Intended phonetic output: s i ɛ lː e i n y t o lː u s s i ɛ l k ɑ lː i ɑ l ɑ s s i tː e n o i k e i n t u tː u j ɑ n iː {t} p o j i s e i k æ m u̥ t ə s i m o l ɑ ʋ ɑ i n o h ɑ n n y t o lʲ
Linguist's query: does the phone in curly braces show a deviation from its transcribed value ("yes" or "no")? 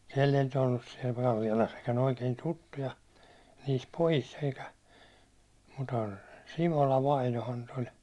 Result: yes